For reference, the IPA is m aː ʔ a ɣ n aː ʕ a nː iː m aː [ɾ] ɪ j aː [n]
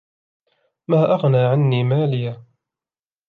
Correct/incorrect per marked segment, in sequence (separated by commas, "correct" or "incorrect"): incorrect, incorrect